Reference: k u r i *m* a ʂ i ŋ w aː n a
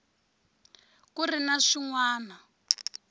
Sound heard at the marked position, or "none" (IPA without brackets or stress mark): n